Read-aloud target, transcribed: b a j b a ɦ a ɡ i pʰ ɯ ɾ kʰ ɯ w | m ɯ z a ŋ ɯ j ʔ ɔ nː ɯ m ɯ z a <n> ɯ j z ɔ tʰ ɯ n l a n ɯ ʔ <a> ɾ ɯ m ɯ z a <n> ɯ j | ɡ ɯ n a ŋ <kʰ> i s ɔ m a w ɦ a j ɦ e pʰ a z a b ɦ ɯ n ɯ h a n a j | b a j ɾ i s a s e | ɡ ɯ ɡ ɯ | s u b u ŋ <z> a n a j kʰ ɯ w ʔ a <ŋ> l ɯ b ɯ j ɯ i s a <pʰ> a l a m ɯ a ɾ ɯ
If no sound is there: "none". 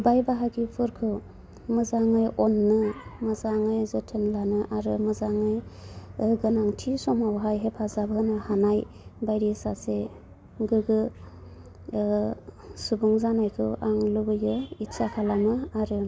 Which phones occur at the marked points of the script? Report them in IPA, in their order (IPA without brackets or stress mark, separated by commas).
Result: ŋ, a, ŋ, tʰ, z, ŋ, kʰ